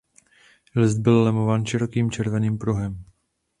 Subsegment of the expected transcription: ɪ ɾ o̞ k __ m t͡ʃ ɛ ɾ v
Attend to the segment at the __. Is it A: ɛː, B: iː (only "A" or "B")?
B